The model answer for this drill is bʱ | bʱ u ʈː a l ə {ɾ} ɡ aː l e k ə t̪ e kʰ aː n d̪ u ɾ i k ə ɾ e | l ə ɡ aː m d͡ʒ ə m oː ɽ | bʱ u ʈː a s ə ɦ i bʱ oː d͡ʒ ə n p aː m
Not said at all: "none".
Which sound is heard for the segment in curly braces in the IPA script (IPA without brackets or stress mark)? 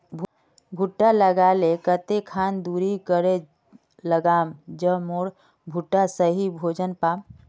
none